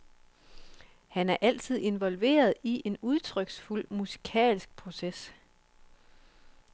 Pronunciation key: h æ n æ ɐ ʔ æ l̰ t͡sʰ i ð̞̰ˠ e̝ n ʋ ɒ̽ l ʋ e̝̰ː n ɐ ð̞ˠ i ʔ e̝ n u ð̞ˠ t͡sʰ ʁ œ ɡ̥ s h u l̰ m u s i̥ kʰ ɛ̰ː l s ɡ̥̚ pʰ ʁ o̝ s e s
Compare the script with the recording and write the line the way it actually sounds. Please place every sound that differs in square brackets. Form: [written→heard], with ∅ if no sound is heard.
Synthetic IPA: h æ n æ ɐ ʔ æ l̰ t͡sʰ i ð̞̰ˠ e̝ n ʋ ɒ̽ l ʋ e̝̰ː [n→∅] ɐ ð̞ˠ i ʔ e̝ n u ð̞ˠ t͡sʰ ʁ œ ɡ̥ s [h→f] u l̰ m u s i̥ kʰ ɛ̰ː l s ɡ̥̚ pʰ ʁ o̝ s e s

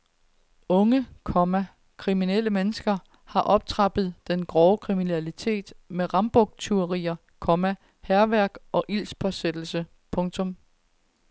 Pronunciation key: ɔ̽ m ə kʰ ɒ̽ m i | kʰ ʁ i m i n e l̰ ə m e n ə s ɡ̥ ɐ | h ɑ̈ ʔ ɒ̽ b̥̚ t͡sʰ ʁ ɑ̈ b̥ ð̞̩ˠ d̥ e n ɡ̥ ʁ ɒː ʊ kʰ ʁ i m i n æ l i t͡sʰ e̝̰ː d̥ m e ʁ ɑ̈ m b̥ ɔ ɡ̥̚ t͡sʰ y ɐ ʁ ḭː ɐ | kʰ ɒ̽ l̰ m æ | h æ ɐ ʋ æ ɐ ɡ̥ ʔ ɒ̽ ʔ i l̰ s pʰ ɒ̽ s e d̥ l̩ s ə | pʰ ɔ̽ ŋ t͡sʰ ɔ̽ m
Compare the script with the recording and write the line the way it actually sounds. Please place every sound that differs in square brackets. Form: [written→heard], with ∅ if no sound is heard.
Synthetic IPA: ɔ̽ [m→ŋ] ə kʰ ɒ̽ m [i→æ] | kʰ ʁ i m i n e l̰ ə m e n ə s ɡ̥ ɐ | h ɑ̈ ʔ ɒ̽ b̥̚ t͡sʰ ʁ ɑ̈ b̥ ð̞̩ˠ d̥ e n ɡ̥ ʁ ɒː ʊ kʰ ʁ i m i n æ l i t͡sʰ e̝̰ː d̥ m e ʁ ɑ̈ m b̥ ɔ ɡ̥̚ t͡sʰ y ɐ ʁ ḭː ɐ | kʰ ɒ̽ [l̰→∅] m æ | h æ ɐ ʋ æ ɐ ɡ̥ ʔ ɒ̽ ʔ i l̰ s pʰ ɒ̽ s e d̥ l̩ s ə | pʰ ɔ̽ ŋ t͡sʰ ɔ̽ m

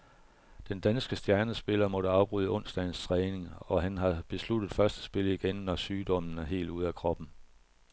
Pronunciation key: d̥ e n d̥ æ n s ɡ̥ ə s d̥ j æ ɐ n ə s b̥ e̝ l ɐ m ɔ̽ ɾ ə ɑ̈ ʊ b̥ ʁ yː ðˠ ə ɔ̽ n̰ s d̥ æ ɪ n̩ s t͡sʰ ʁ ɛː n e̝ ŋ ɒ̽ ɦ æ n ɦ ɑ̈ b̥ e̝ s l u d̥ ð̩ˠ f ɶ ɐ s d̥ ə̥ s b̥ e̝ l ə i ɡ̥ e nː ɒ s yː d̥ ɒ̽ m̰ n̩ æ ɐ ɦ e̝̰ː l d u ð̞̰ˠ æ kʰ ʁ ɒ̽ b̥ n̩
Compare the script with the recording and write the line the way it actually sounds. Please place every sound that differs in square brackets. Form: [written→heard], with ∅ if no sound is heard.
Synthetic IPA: d̥ e n d̥ æ n s ɡ̥ ə s d̥ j æ ɐ n ə s b̥ e̝ l ɐ m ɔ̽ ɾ ə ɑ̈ ʊ b̥ ʁ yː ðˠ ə ɔ̽ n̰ s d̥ æ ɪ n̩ s t͡sʰ ʁ ɛː n e̝ ŋ ɒ̽ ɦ æ n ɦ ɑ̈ b̥ e̝ s l u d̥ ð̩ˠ f ɶ ɐ s d̥ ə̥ s b̥ e̝ l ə i ɡ̥ e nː ɒ s yː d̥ ɒ̽ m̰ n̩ æ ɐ ɦ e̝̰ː l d u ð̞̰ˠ æ kʰ ʁ ɒ̽ b̥ n̩

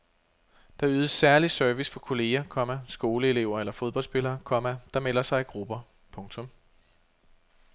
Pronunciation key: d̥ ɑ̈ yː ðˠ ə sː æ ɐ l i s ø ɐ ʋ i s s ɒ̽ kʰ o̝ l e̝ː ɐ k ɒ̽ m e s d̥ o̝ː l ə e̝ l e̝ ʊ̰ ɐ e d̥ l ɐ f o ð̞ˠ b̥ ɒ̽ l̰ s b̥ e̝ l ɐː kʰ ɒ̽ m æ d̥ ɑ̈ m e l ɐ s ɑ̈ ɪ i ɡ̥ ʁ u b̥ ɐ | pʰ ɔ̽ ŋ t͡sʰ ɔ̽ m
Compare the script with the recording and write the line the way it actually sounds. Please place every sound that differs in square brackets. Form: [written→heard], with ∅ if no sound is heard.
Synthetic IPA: d̥ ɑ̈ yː ðˠ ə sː æ ɐ l i s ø ɐ ʋ i s [s→f] ɒ̽ kʰ o̝ l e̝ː ɐ [k→kʰ] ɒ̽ m [e→æ] s [d̥→ɡ̥] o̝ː l ə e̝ l e̝ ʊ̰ ɐ e [d̥→∅] l ɐ f o ð̞ˠ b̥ ɒ̽ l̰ s b̥ e̝ l ɐː kʰ ɒ̽ m æ d̥ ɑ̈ m e l ɐ s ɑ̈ ɪ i ɡ̥ ʁ u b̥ ɐ | pʰ ɔ̽ ŋ t͡sʰ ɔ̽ m

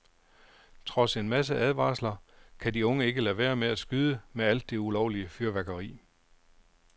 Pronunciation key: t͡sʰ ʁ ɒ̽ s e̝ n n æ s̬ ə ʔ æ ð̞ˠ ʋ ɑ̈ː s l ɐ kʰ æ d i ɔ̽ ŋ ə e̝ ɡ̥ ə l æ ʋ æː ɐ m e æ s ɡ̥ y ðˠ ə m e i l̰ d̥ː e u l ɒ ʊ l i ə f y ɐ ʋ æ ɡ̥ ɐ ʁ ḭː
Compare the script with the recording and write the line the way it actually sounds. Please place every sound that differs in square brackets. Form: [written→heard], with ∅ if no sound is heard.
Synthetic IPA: t͡sʰ ʁ ɒ̽ s e̝ n [n→m] æ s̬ ə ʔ æ ð̞ˠ ʋ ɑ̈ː s l ɐ kʰ æ d i ɔ̽ ŋ ə e̝ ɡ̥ ə l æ ʋ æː ɐ m e æ s ɡ̥ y ðˠ ə m e [i→æ] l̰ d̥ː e u l ɒ ʊ l i ə f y ɐ ʋ æ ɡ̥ ɐ ʁ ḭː

